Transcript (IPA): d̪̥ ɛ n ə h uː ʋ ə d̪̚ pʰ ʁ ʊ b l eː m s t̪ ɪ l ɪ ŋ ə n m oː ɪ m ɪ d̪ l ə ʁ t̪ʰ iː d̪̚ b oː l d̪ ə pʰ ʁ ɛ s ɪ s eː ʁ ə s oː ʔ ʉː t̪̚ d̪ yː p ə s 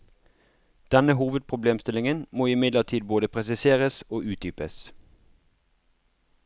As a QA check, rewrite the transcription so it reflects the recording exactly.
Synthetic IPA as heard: d̪̥ ɛ n ə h uː ʋ ə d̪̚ pʰ ʁ ʊ b l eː m s t̪ ɪ l ɪ ŋ ə n m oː ɪ m ɪ d̪ l ə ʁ t̪ʰ iː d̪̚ b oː d̪ ə pʰ ʁ ɛ s ɪ s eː ʁ ə s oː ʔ ʉː t̪̚ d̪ yː p ə s